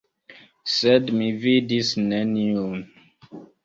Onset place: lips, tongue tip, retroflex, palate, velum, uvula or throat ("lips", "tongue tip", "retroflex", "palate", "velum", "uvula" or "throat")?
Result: tongue tip